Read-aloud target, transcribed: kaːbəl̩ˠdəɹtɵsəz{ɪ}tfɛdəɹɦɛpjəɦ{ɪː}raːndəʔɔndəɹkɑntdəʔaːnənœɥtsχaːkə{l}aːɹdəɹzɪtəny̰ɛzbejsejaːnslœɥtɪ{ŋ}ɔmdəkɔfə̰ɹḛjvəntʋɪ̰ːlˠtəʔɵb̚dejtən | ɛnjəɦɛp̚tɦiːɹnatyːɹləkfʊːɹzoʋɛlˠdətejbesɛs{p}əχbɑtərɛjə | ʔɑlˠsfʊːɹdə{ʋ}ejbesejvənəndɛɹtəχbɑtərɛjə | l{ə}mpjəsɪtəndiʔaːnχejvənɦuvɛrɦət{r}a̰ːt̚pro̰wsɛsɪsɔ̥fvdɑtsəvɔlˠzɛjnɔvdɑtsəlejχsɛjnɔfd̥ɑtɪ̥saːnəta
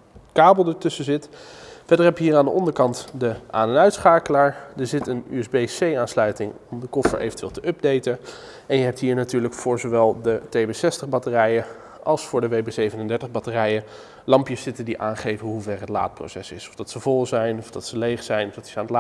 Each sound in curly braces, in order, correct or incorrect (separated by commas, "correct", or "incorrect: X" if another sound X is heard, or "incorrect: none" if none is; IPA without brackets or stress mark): correct, incorrect: iː, correct, correct, incorrect: t, correct, incorrect: ɑ, incorrect: l